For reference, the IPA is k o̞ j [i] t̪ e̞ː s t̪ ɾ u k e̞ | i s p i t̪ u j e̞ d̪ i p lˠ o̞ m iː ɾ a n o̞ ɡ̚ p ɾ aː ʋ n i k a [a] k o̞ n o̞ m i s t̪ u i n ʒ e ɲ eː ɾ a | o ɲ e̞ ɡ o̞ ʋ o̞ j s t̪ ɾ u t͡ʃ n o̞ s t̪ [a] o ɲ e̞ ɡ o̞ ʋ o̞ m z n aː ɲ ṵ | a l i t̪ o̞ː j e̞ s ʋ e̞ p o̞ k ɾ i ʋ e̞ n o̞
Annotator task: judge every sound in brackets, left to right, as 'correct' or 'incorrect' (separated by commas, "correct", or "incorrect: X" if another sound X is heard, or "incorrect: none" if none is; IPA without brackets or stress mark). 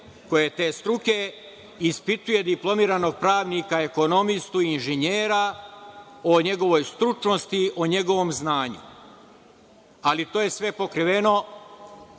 incorrect: e, incorrect: e, incorrect: i